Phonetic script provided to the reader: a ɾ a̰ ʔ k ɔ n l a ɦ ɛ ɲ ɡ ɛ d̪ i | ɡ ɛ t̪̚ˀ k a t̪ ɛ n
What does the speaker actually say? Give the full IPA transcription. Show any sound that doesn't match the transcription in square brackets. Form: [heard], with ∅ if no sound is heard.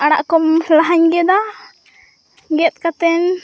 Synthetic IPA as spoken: a [ɽ] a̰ ʔ k ɔ [m] l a ɦ [a] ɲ ɡ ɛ d̪ [a] | ɡ ɛ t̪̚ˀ k a t̪ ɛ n

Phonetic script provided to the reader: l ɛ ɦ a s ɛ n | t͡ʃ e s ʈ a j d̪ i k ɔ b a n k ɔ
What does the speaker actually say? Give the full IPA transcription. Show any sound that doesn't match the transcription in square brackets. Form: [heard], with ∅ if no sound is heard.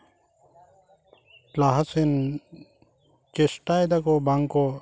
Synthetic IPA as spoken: l [a] ɦ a s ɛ n | t͡ʃ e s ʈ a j d̪ [a] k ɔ b a [ŋ] k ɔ

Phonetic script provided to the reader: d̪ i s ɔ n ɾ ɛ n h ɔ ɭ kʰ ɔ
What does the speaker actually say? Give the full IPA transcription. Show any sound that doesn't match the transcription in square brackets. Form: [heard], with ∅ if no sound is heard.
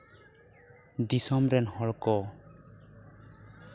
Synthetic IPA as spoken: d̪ i s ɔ [m] ɾ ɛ n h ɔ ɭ [k] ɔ

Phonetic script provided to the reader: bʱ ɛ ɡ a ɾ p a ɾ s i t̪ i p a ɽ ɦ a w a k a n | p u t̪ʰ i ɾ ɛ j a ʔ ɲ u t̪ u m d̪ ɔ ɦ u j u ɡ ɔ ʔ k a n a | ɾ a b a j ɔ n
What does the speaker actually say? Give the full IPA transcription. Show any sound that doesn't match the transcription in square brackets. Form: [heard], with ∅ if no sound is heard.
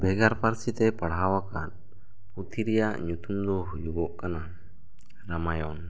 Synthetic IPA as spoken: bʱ ɛ ɡ a ɾ p a ɾ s i t̪ [ɛ] p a ɽ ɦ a w a k a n | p u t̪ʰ i ɾ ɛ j a ʔ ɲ u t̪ u m d̪ ɔ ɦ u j u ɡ ɔ ʔ k a n a | ɾ a [m] a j ɔ n

